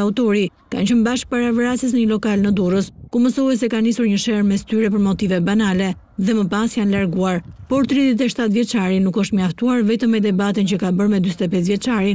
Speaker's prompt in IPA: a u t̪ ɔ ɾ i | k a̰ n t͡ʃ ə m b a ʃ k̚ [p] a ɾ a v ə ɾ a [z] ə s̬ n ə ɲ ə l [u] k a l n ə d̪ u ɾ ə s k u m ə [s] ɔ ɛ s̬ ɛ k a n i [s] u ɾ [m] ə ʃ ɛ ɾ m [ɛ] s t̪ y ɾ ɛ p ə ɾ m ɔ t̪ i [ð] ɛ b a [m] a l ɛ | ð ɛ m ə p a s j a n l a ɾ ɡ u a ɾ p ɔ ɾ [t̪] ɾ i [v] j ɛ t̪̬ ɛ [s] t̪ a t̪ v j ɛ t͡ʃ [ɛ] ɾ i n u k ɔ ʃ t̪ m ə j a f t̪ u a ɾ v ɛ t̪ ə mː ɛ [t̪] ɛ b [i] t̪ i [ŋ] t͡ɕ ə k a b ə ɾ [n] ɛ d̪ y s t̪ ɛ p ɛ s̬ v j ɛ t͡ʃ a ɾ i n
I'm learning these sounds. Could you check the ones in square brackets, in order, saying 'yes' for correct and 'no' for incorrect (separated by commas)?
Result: yes, no, no, yes, yes, no, yes, no, no, yes, no, no, no, no, no, no, no